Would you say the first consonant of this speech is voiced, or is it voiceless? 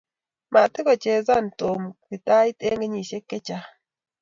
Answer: voiced